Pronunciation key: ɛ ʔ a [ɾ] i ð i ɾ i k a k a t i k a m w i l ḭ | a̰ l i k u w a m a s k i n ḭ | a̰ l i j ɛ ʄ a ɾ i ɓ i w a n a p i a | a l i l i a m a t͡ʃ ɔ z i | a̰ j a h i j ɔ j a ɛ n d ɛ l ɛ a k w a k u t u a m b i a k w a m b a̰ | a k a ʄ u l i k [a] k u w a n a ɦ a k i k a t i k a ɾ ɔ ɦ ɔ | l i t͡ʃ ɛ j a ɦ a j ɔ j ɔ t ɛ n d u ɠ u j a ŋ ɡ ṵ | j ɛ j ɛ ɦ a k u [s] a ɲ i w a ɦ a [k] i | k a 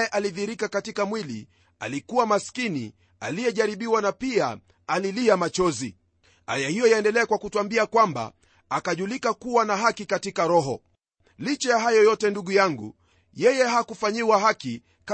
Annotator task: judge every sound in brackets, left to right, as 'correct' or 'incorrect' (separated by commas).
incorrect, correct, incorrect, correct